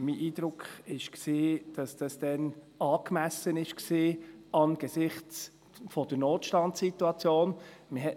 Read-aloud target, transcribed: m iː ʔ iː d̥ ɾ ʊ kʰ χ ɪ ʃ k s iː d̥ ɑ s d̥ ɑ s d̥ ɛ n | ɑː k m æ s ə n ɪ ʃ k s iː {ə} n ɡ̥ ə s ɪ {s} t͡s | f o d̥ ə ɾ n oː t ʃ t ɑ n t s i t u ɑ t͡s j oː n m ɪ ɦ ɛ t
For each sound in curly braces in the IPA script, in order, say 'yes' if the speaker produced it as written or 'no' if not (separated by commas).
no, no